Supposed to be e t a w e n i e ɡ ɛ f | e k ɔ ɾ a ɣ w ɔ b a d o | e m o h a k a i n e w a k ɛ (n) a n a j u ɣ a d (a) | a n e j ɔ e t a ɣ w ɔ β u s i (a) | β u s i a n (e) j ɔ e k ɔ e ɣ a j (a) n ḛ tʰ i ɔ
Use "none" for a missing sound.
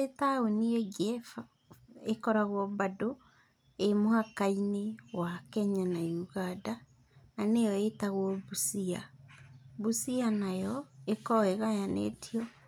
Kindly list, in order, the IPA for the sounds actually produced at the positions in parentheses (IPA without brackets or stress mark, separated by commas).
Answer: ɲ, a, a, a, a